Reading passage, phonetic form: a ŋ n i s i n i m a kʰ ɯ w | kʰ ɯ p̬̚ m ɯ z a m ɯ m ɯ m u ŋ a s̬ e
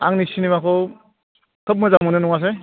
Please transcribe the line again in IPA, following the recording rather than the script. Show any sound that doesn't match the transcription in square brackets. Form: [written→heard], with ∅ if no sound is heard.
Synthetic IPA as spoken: a ŋ n i s i n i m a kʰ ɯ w | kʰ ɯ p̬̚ m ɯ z a m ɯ [m→n] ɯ [m→n] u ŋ a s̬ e

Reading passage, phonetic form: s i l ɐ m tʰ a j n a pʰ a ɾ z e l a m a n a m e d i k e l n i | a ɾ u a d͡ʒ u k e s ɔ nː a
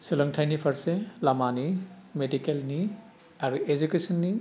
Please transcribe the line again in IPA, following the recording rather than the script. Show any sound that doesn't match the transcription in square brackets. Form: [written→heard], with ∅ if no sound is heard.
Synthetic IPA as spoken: s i l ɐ [m→ŋ] tʰ a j n [a→i] pʰ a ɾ [z→s] e l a m a n [a→i] m e d i k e l n i | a ɾ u [a→e] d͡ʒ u k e s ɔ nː [a→i]

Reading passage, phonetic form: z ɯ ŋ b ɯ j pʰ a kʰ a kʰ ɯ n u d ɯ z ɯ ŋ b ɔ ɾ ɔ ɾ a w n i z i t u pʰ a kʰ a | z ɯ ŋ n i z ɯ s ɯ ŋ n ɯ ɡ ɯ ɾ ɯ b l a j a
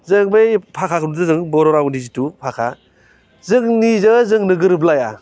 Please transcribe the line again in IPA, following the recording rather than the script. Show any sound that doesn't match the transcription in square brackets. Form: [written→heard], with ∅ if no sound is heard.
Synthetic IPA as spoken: z ɯ ŋ b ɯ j pʰ a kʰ a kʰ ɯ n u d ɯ z ɯ ŋ b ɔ ɾ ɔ ɾ a w n i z i t u pʰ a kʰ a | z ɯ ŋ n i z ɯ [s→z] ɯ ŋ n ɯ ɡ ɯ ɾ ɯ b l a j a

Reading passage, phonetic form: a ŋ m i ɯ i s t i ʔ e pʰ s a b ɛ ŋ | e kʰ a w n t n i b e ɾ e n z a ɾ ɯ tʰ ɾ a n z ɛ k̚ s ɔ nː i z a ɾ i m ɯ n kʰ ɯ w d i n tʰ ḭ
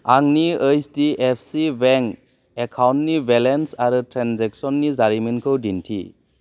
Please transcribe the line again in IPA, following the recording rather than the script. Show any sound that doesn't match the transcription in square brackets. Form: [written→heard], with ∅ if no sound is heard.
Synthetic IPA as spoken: a ŋ [m→n] i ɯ [i→j] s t i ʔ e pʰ s [a→i] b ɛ ŋ | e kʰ a w n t n i b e [ɾ→l] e n [z→s] a ɾ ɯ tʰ ɾ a n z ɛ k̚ s ɔ nː i z a ɾ i m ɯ n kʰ ɯ w d i n tʰ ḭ

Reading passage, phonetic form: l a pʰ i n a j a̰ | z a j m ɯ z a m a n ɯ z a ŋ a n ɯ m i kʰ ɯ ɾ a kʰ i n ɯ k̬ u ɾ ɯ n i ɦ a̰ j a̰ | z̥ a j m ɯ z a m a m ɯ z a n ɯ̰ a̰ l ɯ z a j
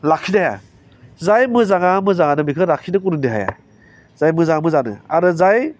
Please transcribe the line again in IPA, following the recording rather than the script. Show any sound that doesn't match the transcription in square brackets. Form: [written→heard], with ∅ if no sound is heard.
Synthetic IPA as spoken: l a [pʰ→kʰ] i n a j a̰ | z a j m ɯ z a [m→ŋ] a [n→m] ɯ z a ŋ a n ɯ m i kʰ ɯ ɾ a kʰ i n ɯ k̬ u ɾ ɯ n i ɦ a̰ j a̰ | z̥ a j m ɯ z a [m→ŋ] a m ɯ z a n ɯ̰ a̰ [l→ɾ] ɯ z a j

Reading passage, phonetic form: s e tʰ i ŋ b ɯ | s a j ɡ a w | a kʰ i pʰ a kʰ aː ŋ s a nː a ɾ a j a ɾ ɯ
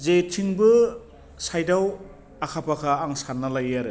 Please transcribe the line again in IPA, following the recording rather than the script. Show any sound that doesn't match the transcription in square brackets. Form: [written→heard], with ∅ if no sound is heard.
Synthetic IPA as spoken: [s→z] e tʰ i ŋ b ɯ | s a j [ɡ→d] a w | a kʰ [i→a] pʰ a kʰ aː ŋ s a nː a [ɾ→l] a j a ɾ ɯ

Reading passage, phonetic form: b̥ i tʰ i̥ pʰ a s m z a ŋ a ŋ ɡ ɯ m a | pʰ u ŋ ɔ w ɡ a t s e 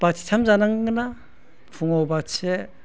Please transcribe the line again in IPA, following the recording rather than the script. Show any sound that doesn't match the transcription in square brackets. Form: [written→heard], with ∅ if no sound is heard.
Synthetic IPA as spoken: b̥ [i→a] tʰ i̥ [pʰ→tʰ] a [s→∅] m z a [ŋ→n] a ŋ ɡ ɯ [m→n] a | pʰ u ŋ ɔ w [ɡ→b] a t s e

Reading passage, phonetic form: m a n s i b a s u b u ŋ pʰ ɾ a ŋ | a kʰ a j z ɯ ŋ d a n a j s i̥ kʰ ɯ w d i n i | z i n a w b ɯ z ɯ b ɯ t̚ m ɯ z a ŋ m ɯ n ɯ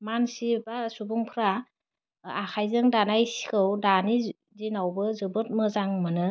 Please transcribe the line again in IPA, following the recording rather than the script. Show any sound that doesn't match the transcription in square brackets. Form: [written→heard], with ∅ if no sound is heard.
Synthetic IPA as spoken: m a n s i b a s u b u ŋ pʰ ɾ a [ŋ→∅] | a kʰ a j z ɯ ŋ d a n a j s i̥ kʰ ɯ w d [i→a] n i | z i n a w b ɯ z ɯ b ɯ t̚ m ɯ z a ŋ m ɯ n ɯ

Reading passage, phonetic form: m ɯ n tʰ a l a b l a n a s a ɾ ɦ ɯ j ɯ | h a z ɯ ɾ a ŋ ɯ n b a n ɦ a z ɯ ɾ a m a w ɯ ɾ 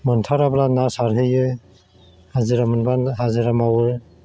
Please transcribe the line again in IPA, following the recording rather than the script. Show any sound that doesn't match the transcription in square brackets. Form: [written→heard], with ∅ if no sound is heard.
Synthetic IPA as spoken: m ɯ n tʰ a [l→ɾ] a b l a n a s a ɾ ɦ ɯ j ɯ | h a z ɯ ɾ a [ŋ→m] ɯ n b a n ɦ a z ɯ ɾ a m a w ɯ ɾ

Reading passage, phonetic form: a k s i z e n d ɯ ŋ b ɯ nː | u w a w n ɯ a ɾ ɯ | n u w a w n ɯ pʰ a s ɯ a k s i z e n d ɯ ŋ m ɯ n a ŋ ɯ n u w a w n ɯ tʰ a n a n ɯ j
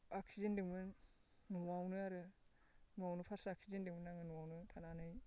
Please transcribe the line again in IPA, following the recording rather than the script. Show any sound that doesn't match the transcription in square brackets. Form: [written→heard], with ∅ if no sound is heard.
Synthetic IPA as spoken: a k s i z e n d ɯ ŋ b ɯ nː | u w a w n ɯ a ɾ ɯ | n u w a w n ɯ pʰ a s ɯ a k s i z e n d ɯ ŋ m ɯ n a ŋ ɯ n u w a w n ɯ tʰ a n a n ɯ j

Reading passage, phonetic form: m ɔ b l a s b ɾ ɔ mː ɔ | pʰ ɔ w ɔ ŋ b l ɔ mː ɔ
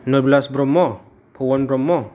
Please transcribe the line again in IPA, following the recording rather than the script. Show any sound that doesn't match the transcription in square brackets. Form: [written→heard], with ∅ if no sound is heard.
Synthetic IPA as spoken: [m→n] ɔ b l a s b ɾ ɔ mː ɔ | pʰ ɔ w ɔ [ŋ→n] b [l→ɾ] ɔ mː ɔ

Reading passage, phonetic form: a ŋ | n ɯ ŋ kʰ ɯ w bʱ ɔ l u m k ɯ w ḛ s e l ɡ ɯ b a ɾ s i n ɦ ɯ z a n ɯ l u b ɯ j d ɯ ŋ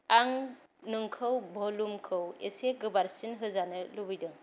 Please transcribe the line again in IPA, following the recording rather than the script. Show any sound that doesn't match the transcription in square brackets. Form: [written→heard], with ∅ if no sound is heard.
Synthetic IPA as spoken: a ŋ | n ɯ ŋ kʰ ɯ w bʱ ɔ l u m [k→kʰ] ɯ w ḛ s e [l→∅] ɡ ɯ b a ɾ s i n ɦ ɯ z a n ɯ l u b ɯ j d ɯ ŋ

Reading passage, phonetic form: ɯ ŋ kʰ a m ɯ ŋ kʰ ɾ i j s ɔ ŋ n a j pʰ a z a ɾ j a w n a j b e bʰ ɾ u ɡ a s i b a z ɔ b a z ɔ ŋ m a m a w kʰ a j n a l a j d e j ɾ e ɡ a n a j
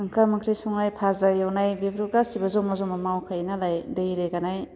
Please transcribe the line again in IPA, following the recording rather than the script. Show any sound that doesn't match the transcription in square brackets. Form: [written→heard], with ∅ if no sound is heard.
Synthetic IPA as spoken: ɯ ŋ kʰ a m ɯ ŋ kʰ ɾ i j s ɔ ŋ n a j pʰ a z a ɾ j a w n a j b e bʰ ɾ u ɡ a s i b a z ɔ [b→m] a z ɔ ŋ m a m a w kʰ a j n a l a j d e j ɾ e ɡ a n a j

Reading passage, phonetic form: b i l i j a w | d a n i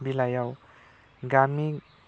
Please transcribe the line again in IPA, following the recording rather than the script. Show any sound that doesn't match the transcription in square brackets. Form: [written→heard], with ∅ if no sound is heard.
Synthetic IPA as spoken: b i l [i→a] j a w | [d→ɡ] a [n→m] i

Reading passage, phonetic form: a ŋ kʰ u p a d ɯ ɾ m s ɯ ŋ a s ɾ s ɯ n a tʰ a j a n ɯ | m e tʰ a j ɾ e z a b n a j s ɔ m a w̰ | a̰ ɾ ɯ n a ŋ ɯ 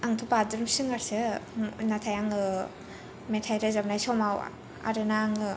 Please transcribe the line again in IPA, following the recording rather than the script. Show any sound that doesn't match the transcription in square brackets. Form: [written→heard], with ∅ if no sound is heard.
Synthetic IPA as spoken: a ŋ [kʰ→tʰ] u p a d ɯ ɾ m s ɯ ŋ a [s→∅] ɾ s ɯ n a tʰ a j a [n→ŋ] ɯ | m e tʰ a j ɾ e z a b n a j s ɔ m a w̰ | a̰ ɾ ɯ n a ŋ ɯ

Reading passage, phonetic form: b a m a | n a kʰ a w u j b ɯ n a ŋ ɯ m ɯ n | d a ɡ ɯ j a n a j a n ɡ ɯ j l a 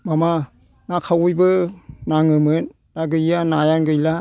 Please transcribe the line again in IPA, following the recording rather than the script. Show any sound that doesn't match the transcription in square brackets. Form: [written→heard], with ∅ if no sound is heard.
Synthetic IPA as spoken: [b→m] a m a | n a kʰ a w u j b ɯ n a ŋ ɯ m ɯ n | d a ɡ ɯ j a n a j a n ɡ ɯ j l a

